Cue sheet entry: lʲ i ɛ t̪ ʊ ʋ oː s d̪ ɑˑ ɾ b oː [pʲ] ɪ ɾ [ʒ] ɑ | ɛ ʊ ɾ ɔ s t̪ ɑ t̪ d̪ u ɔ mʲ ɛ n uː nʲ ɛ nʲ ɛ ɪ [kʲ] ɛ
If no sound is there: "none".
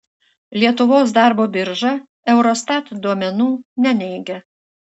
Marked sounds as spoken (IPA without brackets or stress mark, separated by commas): bʲ, ʒ, ɡʲ